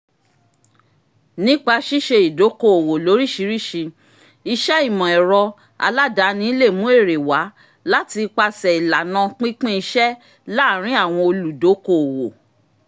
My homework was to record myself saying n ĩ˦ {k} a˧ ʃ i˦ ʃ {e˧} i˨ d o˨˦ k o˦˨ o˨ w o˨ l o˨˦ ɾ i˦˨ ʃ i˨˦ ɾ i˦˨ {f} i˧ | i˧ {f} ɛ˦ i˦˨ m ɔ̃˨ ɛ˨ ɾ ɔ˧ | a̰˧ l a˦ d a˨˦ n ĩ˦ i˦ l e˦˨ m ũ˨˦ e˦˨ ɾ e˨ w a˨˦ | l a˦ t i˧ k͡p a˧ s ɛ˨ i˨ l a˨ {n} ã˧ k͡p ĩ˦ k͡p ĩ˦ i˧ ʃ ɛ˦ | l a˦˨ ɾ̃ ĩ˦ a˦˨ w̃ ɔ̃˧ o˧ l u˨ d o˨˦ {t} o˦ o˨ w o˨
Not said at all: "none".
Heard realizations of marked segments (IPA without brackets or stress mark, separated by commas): k͡p, e˧, ʃ, ʃ, n, k